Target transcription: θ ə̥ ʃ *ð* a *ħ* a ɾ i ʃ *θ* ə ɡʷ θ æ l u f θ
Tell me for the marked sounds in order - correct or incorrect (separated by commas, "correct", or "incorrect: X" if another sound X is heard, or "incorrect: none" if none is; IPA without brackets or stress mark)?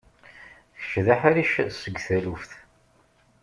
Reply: correct, correct, incorrect: s